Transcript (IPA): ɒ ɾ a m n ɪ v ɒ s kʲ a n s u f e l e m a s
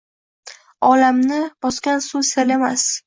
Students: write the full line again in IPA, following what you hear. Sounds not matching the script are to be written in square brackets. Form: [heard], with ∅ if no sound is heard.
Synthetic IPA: ɒ [l] a m n ɪ [b] ɒ s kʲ a n s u [s] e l e m a s